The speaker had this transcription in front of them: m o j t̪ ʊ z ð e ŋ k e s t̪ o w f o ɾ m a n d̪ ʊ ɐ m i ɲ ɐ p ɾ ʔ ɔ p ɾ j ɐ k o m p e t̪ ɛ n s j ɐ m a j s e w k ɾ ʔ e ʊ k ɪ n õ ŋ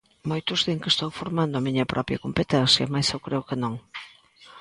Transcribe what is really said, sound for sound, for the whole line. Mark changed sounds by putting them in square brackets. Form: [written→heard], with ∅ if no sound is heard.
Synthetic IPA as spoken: m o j t̪ ʊ z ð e ŋ k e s t̪ o w f o ɾ m a n d̪ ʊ ɐ m i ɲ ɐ p ɾ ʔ ɔ p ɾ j ɐ k o m p e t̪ ɛ n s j ɐ m a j s e w k ɾ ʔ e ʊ k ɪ n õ ŋ